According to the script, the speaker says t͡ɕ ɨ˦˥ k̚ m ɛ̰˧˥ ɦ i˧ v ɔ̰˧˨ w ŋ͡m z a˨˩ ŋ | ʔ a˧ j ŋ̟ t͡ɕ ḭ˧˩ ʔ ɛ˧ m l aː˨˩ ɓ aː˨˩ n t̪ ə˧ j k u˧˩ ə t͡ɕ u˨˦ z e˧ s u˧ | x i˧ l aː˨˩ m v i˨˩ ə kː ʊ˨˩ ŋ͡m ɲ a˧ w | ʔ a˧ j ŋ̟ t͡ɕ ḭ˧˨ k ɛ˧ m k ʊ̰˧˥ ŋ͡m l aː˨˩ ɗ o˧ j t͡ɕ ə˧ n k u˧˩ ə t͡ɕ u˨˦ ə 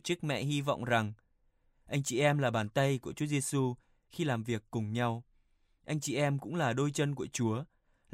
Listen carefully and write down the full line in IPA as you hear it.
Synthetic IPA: t͡ɕ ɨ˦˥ k̚ m ɛ̰˧˨ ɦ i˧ v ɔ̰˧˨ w ŋ͡m z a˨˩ ŋ | ʔ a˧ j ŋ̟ t͡ɕ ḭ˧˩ ʔ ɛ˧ m l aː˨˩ ɓ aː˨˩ n t̪ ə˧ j k u˧˩ ə t͡ɕ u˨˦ z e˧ s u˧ | x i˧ l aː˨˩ m v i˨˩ ə kː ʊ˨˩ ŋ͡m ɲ a˧ w | ʔ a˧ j ŋ̟ t͡ɕ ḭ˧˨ ʔ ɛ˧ m k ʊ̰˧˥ ŋ͡m l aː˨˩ ɗ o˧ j t͡ɕ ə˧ n k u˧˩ ə t͡ɕ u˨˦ ə